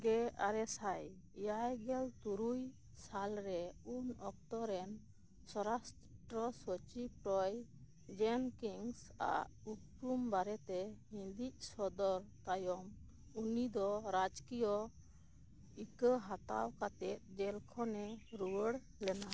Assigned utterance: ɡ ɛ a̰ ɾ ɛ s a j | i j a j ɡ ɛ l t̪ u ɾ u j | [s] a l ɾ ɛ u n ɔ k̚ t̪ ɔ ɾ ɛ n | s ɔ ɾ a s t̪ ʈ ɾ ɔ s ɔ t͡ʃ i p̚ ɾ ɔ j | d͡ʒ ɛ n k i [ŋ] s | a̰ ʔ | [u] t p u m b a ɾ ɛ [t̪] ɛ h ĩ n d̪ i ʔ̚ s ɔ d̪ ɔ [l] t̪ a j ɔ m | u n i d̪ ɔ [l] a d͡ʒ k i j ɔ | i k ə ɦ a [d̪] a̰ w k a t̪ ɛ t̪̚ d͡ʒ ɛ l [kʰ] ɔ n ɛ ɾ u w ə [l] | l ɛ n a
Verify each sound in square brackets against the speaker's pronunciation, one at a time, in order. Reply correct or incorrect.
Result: correct, correct, correct, correct, incorrect, incorrect, incorrect, correct, incorrect

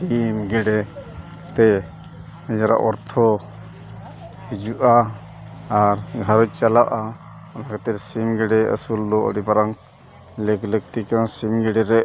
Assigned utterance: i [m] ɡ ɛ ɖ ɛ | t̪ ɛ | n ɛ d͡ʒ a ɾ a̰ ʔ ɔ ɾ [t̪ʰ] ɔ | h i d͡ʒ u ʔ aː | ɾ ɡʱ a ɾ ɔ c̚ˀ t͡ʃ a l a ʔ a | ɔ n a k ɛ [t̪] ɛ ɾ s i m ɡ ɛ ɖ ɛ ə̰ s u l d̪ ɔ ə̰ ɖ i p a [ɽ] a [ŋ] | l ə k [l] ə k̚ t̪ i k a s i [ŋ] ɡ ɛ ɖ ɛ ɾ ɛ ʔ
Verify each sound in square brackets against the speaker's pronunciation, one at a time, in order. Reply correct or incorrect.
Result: correct, correct, correct, incorrect, correct, correct, incorrect

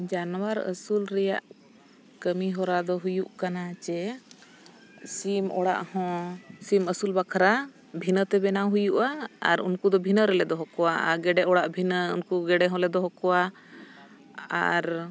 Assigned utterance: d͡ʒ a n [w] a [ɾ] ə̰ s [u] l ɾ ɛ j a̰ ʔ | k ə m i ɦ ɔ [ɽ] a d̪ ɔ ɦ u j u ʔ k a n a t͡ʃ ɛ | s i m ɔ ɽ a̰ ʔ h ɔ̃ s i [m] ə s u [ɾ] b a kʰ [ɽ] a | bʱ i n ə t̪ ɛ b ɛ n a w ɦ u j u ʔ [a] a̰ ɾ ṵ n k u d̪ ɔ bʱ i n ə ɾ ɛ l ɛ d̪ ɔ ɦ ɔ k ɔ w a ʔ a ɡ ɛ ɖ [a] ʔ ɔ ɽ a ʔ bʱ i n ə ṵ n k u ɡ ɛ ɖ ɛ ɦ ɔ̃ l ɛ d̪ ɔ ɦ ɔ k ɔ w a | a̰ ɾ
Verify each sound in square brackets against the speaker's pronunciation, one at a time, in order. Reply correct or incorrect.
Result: correct, correct, correct, incorrect, correct, incorrect, incorrect, correct, incorrect

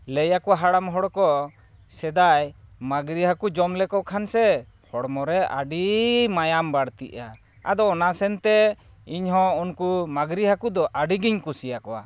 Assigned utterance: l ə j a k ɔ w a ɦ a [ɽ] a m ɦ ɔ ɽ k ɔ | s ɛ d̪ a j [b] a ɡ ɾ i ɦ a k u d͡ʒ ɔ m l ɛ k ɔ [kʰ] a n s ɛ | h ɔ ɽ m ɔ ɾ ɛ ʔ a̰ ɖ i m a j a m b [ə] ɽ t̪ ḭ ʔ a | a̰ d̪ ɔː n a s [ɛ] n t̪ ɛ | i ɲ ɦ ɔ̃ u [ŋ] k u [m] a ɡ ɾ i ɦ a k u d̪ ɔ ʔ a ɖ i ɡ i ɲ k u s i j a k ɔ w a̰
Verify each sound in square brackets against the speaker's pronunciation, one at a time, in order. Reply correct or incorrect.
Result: correct, incorrect, correct, incorrect, correct, incorrect, correct

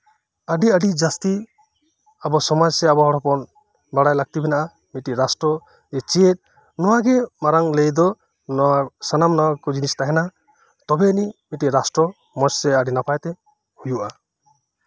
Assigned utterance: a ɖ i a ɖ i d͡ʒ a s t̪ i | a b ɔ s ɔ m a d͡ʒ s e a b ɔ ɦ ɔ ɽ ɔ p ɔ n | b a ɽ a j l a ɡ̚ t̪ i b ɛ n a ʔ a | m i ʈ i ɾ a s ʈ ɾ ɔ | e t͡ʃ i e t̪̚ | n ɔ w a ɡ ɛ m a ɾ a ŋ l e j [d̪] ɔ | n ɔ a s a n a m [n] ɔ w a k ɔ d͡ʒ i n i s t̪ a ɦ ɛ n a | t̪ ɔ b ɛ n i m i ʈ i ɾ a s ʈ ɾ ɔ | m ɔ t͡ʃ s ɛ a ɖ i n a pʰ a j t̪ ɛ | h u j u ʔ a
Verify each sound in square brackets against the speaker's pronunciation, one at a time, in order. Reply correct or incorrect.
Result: correct, correct

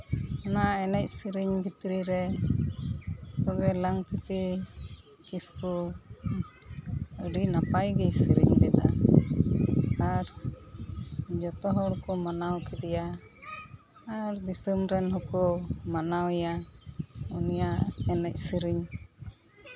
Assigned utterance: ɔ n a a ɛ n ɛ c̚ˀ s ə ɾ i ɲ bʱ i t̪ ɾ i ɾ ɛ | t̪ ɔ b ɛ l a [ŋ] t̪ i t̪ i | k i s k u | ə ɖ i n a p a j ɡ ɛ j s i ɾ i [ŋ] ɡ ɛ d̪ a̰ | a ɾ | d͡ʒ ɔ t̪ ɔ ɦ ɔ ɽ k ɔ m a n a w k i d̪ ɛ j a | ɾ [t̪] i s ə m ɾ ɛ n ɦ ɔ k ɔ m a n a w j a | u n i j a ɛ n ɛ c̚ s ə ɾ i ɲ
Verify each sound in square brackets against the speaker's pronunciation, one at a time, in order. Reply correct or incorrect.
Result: correct, incorrect, incorrect

